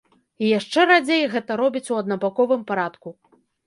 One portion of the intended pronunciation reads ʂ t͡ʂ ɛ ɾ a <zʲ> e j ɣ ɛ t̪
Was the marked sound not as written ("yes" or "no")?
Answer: yes